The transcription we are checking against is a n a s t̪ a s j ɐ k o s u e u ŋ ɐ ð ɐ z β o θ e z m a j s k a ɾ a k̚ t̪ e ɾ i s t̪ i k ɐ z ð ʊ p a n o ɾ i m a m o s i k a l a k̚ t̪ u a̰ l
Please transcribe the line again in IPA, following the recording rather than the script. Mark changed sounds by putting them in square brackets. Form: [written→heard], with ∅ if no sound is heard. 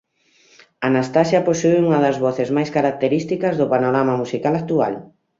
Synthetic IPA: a n a s t̪ a s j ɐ [k→p] o s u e u ŋ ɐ ð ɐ z β [o→ɔ] θ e z m a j s k a ɾ a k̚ t̪ e ɾ i s t̪ i k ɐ z ð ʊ p a n o ɾ [i→a] m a m [o→u] s i k a l a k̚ t̪ u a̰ l